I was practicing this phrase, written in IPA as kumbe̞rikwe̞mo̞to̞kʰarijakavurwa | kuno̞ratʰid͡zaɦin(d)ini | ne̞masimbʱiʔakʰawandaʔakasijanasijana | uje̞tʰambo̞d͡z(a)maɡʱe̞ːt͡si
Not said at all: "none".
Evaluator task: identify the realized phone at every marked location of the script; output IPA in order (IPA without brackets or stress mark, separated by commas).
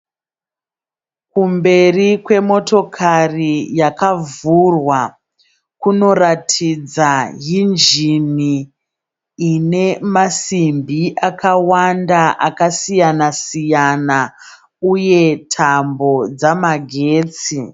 d͡ʒ, a